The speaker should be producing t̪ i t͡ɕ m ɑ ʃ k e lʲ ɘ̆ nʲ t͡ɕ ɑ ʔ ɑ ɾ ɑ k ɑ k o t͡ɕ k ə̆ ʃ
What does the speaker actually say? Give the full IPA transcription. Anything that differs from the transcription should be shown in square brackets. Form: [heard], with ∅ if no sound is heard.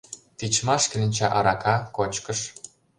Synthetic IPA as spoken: t̪ i t͡ɕ m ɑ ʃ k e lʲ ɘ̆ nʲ t͡ɕ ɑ ʔ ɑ ɾ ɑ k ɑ k o t͡ɕ k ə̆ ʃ